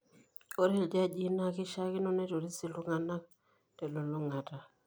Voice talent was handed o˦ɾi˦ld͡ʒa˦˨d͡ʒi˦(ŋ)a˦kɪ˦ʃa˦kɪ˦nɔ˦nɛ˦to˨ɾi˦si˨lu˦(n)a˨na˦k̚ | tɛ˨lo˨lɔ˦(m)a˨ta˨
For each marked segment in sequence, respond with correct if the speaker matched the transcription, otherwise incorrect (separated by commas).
incorrect, incorrect, incorrect